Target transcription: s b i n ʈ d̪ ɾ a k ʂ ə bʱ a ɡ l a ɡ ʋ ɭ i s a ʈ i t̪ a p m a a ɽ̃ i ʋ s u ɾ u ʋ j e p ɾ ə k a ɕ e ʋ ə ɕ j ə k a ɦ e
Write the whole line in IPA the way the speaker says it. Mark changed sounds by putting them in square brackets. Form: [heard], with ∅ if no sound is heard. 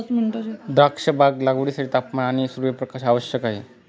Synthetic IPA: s [m] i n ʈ d̪ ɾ a k ʂ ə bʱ a ɡ l a ɡ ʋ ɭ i s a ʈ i t̪ a p m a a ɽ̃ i [∅] s u ɾ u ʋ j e p ɾ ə k a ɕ [a] ʋ ə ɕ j ə k a ɦ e